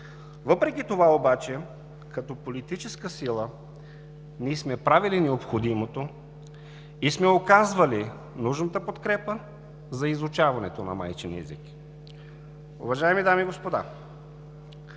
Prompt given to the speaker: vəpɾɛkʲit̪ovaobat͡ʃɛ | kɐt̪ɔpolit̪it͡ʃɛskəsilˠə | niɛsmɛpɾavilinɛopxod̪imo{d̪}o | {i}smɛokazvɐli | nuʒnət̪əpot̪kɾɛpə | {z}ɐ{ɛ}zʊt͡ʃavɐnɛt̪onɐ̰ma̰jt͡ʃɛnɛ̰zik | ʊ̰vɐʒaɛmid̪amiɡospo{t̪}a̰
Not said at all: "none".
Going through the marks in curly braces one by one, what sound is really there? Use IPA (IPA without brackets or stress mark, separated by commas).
t̪, i, z, i, d̪